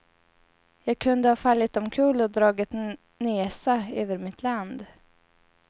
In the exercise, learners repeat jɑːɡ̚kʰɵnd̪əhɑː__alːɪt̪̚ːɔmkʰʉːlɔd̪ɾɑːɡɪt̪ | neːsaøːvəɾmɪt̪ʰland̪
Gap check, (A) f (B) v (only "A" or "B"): A